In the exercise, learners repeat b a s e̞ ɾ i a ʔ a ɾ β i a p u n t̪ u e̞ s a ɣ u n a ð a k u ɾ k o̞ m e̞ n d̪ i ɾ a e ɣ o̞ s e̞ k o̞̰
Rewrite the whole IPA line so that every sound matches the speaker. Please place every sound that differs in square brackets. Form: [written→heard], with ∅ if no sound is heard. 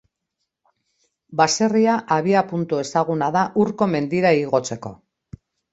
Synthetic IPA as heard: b a s e̞ [ɾ→r] i a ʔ a [ɾ→∅] β i a p u n t̪ u e̞ s a ɣ u n a ð a [k→ʔ] u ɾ k o̞ m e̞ n d̪ i ɾ a [e→i] ɣ o̞ [s→t͡s] e̞ k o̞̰